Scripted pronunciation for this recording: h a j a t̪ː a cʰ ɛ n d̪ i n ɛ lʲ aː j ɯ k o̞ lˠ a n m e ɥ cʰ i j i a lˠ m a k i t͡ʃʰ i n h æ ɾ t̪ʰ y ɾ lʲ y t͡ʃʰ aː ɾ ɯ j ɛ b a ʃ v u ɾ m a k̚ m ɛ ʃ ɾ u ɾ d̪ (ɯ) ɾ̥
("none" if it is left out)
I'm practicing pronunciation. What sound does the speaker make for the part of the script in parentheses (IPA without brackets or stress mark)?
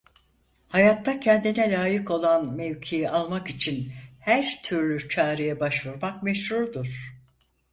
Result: u